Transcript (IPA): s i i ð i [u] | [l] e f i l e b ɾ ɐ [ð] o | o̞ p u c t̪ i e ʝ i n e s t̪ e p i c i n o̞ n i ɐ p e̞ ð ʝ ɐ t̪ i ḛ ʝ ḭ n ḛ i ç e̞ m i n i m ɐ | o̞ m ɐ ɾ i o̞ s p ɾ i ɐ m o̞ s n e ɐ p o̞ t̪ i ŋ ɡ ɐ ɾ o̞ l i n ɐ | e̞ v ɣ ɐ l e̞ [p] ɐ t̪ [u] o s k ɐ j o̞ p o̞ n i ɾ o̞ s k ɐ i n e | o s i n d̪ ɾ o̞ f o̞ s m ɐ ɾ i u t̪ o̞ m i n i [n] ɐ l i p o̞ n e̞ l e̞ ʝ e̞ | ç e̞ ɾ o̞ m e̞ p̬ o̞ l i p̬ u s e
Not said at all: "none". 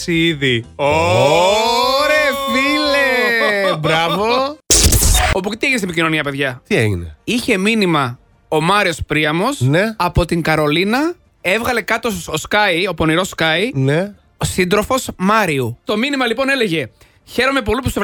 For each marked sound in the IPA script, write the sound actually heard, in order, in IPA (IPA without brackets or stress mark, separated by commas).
o, ɾ, v, k, o, m